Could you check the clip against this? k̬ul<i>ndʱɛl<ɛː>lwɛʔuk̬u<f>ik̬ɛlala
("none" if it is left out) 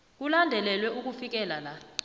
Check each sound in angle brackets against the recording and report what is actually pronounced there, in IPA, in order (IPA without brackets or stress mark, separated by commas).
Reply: a, ɛ, f